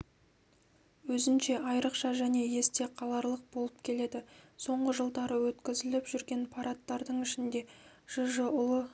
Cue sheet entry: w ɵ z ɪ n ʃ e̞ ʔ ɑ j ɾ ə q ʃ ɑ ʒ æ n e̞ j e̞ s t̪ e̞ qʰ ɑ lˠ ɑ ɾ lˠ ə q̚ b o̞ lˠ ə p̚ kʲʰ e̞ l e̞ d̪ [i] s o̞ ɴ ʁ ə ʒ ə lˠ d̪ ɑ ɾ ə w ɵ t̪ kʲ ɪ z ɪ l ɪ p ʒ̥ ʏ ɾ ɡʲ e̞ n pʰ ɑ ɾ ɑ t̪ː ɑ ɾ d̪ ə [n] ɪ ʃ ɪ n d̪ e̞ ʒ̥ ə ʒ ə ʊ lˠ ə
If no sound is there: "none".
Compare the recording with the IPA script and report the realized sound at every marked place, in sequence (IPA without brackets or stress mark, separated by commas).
ɪ, ɴ